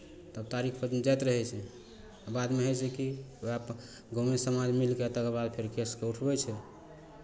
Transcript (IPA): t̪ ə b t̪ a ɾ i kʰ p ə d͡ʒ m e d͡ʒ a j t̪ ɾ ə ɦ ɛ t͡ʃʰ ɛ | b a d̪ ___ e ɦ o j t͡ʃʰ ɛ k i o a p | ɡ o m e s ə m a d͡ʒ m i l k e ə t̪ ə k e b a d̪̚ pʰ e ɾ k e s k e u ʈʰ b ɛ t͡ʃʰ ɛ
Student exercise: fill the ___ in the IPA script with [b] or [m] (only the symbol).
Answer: m